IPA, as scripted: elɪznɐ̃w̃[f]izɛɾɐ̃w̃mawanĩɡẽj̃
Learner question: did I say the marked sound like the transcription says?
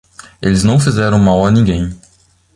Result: yes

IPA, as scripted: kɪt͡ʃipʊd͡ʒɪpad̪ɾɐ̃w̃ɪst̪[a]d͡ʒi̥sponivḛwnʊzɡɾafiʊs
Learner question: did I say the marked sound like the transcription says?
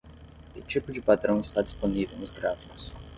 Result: yes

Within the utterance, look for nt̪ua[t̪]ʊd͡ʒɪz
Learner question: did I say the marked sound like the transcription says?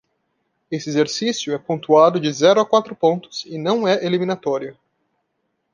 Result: no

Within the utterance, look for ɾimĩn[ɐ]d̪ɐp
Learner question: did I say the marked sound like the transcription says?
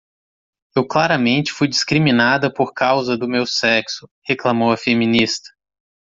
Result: no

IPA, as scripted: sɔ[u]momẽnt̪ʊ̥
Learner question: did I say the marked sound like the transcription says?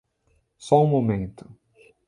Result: no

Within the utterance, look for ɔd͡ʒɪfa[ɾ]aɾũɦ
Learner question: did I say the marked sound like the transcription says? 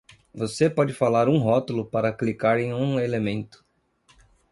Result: no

